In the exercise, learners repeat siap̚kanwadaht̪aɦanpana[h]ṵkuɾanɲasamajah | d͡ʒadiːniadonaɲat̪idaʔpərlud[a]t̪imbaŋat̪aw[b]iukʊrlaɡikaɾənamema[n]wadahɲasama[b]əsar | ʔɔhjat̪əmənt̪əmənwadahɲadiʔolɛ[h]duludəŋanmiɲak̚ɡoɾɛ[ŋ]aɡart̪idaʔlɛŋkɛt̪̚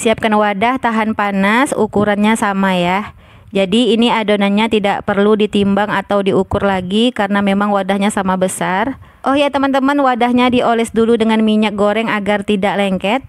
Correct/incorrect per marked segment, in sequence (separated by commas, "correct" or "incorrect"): incorrect, incorrect, incorrect, incorrect, correct, incorrect, correct